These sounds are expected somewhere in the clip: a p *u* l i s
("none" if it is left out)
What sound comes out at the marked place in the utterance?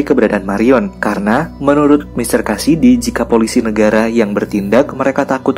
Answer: o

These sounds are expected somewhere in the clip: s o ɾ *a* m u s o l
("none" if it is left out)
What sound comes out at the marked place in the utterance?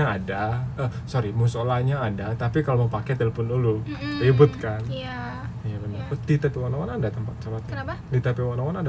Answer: i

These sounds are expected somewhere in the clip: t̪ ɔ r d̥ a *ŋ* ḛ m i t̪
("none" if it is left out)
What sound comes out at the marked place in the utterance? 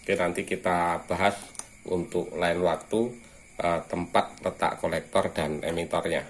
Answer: n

